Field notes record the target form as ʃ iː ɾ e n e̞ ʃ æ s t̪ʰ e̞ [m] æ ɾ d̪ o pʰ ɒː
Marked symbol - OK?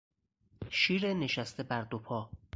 no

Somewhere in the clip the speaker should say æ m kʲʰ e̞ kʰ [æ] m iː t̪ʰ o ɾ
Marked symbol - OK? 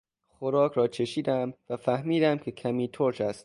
yes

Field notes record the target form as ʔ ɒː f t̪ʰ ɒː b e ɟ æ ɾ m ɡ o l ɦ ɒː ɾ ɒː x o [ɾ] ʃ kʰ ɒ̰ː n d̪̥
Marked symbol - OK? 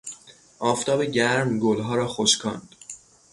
no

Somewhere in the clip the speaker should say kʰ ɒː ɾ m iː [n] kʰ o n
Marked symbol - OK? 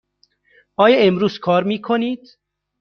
no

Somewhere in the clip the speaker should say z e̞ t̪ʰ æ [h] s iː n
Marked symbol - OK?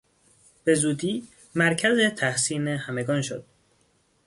yes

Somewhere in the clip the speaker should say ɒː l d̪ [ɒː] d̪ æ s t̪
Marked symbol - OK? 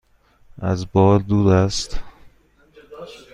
no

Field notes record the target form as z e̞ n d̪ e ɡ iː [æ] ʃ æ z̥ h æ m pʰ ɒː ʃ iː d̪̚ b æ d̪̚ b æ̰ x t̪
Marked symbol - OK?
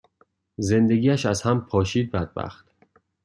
yes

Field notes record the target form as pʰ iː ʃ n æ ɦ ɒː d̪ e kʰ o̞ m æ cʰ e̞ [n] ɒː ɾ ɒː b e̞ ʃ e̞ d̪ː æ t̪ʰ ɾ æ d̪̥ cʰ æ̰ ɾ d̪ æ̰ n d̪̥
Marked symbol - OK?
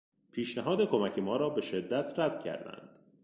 no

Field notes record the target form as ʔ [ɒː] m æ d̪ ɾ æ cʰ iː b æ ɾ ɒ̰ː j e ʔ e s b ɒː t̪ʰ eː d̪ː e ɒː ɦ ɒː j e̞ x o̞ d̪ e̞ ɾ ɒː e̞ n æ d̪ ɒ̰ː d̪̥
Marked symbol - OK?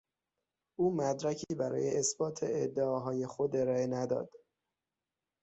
no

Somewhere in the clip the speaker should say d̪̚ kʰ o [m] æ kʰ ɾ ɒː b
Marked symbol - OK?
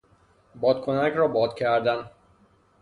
no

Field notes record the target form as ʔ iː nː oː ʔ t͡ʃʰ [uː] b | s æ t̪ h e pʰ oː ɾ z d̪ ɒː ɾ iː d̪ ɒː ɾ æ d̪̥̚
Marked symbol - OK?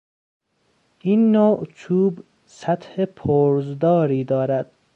yes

